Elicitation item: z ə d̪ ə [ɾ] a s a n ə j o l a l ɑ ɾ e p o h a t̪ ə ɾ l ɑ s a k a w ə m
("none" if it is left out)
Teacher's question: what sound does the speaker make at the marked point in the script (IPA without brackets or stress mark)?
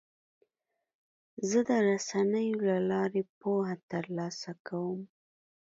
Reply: ɾ